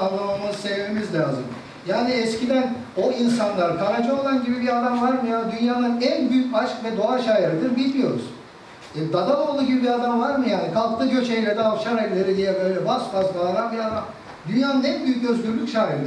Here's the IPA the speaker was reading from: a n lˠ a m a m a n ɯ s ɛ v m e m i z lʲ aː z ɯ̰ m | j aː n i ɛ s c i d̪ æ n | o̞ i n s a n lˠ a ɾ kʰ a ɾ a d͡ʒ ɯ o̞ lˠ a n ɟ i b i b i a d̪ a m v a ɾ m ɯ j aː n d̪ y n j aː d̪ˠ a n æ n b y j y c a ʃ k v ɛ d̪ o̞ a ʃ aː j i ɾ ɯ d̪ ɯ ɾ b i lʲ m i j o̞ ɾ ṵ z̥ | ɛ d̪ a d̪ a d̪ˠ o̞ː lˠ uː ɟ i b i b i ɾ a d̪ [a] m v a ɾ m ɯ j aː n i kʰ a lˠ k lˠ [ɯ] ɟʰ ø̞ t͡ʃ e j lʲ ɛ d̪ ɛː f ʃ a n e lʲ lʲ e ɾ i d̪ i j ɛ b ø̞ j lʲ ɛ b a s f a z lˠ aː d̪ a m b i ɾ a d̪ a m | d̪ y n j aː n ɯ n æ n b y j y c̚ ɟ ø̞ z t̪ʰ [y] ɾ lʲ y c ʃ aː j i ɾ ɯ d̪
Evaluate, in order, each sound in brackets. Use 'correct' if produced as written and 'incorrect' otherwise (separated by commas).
correct, correct, correct